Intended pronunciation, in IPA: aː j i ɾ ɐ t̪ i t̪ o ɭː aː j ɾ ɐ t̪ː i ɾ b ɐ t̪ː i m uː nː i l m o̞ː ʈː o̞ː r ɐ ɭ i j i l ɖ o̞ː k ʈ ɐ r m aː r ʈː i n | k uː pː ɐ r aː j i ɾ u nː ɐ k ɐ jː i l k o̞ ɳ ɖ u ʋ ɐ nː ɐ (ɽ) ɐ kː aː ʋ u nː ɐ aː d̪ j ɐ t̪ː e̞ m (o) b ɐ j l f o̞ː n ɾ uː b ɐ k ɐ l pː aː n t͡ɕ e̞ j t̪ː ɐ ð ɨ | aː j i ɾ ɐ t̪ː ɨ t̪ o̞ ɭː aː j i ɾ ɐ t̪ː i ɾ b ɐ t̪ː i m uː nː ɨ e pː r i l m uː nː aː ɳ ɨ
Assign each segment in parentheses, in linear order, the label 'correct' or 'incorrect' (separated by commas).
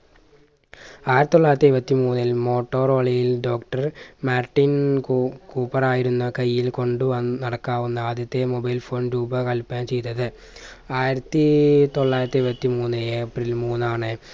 correct, correct